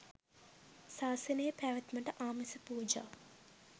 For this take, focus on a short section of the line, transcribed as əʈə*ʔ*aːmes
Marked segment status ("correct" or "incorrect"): correct